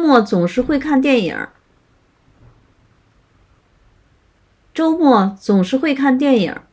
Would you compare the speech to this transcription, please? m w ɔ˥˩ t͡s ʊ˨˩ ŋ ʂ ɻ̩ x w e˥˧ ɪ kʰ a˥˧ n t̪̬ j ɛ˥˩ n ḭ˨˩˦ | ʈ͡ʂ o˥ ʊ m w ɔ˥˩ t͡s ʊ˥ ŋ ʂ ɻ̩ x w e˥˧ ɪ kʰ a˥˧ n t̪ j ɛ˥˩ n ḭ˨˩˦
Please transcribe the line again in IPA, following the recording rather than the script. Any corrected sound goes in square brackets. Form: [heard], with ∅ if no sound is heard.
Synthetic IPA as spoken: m w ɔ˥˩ t͡s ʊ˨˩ ŋ ʂ ɻ̩ x w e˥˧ ɪ kʰ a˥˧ n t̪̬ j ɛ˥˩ n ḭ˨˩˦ | ʈ͡ʂ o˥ ʊ m w ɔ˥˩ t͡s [ʊ˨˩] ŋ ʂ ɻ̩ x w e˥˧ ɪ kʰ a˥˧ n t̪ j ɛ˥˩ n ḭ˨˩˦

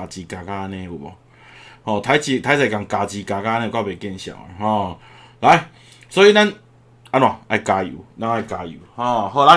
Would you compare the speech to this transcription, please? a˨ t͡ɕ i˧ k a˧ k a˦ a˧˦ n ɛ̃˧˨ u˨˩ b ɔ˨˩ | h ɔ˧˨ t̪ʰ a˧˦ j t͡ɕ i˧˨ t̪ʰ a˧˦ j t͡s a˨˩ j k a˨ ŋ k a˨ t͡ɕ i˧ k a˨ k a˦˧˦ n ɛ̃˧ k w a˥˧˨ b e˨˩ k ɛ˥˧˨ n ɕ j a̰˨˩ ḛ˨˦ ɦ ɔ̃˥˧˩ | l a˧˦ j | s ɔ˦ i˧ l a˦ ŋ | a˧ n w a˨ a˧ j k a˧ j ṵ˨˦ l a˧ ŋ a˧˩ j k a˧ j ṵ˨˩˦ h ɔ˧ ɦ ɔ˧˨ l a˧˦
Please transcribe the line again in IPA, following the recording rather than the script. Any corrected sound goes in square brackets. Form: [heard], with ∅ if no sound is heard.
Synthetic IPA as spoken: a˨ t͡ɕ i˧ k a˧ k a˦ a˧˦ n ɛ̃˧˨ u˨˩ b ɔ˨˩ | h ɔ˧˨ t̪ʰ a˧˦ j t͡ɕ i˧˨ t̪ʰ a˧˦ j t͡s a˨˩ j k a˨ ŋ k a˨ t͡ɕ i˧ k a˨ k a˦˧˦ n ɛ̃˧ k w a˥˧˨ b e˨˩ k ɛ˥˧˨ n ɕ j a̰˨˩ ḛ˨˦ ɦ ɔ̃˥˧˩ | l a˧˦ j | s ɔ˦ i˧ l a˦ [n] | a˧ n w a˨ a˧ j k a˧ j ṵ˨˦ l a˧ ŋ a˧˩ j k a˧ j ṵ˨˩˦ h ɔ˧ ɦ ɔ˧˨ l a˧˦

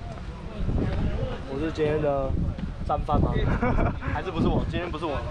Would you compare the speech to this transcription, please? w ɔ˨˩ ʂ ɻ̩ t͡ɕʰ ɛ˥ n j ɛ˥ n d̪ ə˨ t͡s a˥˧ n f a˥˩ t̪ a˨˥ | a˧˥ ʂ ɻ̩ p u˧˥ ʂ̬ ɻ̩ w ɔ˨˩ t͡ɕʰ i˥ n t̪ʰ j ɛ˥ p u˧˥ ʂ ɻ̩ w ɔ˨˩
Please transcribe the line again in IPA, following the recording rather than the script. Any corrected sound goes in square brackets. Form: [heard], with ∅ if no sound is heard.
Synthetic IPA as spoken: w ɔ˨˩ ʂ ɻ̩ [t͡ɕ] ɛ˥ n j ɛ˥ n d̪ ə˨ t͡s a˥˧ n f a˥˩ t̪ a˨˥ | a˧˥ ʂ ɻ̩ p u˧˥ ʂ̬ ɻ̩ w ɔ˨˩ [t͡ɕ] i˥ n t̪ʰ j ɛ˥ p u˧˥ ʂ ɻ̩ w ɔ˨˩

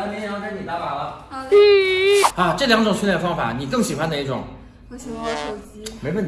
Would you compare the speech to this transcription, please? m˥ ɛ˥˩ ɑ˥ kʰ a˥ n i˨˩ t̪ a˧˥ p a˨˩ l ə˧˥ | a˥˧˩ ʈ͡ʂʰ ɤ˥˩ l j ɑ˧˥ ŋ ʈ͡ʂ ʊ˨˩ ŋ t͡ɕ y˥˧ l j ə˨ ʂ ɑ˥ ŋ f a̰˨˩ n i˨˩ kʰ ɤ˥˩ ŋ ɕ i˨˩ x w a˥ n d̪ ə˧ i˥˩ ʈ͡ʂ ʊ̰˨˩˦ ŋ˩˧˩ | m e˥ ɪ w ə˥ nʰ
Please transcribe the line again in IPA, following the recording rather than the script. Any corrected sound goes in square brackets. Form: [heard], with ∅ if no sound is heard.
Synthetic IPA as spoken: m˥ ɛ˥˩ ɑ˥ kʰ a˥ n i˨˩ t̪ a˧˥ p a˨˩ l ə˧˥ | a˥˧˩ [ʈ͡ʂ] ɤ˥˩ l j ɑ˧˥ ŋ ʈ͡ʂ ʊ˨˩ ŋ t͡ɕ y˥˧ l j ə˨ [f] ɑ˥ ŋ f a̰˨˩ n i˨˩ [k] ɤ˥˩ ŋ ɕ i˨˩ x w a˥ n d̪ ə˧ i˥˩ ʈ͡ʂ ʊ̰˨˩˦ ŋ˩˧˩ | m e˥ ɪ w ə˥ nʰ

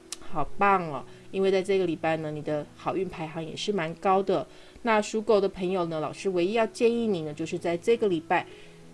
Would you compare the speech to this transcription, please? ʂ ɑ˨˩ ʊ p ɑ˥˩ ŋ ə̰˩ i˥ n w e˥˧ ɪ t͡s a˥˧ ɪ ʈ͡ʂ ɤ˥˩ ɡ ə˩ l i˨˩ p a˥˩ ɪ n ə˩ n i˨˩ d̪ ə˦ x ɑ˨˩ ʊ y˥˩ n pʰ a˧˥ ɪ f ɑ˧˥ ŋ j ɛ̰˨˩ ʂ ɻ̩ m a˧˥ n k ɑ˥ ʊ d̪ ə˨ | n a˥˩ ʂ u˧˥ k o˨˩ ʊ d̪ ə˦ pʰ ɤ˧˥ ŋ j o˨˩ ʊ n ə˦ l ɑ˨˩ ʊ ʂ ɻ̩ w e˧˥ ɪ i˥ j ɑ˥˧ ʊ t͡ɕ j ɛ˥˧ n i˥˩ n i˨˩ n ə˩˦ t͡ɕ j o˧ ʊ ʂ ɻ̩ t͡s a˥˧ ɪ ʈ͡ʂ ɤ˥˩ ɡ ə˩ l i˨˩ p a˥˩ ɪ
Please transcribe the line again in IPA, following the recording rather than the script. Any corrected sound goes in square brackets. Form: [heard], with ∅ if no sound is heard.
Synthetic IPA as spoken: [x] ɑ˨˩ ʊ p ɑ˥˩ ŋ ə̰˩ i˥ n w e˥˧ ɪ t͡s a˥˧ ɪ ʈ͡ʂ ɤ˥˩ ɡ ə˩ l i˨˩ p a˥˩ ɪ n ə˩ n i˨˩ d̪ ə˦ x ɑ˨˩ ʊ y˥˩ n pʰ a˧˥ ɪ [x] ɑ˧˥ ŋ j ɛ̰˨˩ ʂ ɻ̩ m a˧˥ n k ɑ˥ ʊ d̪ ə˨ | n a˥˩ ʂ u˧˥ k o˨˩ ʊ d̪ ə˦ pʰ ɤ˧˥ ŋ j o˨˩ ʊ n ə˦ l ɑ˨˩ ʊ ʂ ɻ̩ w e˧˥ ɪ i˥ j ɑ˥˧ ʊ t͡ɕ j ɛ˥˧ n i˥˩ n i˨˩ n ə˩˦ t͡ɕ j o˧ ʊ ʂ ɻ̩ t͡s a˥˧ ɪ ʈ͡ʂ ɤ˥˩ ɡ ə˩ l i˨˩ p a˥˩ ɪ

